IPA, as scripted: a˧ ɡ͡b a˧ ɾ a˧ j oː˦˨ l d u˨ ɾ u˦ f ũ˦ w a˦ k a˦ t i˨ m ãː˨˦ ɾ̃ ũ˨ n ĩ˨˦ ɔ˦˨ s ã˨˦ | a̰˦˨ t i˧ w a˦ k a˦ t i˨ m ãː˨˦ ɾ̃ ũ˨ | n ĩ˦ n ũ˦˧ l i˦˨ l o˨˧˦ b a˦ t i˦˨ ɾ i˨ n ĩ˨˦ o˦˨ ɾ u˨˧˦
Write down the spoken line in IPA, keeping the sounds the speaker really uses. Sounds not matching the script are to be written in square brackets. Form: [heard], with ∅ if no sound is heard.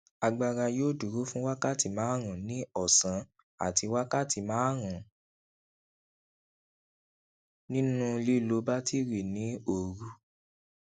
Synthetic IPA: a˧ ɡ͡b a˧ ɾ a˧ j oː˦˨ [∅] d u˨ ɾ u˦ f ũ˦ w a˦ k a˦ t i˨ m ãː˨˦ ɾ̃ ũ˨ n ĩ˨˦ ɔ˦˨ s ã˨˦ | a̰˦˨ t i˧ w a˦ k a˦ t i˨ m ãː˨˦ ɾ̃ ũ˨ | n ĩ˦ n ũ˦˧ l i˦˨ l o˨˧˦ b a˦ t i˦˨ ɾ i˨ n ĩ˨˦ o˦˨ ɾ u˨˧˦